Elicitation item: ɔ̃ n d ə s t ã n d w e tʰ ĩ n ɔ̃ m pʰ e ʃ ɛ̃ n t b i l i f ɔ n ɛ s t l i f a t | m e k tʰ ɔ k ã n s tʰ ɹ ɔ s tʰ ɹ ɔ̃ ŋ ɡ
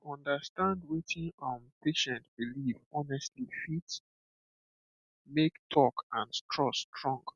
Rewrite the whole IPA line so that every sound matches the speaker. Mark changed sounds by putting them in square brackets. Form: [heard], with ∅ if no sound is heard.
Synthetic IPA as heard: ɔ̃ n d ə s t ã n d w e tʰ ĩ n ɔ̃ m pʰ e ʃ ɛ̃ n t b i l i [v] ɔ n ɛ s t l i f [i] t | m e k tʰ ɔ k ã n s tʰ ɹ ɔ s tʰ ɹ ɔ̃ ŋ ɡ